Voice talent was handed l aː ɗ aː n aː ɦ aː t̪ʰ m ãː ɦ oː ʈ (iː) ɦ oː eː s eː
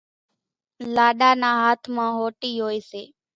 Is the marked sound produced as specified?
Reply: yes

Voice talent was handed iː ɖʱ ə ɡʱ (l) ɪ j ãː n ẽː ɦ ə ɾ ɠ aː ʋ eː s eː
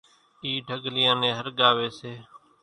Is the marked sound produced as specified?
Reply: yes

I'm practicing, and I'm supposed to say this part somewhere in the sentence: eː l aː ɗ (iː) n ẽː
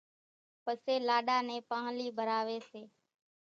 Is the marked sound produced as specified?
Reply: no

